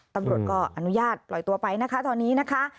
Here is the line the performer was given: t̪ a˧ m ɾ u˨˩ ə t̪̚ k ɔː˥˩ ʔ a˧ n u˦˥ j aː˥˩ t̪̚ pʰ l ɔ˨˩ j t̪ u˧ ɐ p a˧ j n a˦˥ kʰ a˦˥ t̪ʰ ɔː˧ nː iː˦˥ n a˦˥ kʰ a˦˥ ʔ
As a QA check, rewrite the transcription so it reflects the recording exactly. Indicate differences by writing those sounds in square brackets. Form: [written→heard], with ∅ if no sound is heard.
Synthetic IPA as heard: t̪ a˧ m ɾ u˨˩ ə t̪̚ k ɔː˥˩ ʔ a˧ n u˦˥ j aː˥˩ t̪̚ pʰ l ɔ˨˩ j t̪ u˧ ɐ p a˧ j n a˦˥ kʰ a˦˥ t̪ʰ ɔː˧ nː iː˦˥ n a˦˥ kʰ a˦˥ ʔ